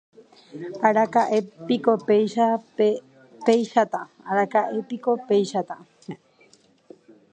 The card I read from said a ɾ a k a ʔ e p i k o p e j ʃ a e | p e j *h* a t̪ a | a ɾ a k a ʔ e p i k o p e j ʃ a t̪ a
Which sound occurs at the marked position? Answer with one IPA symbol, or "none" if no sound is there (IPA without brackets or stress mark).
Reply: ʃ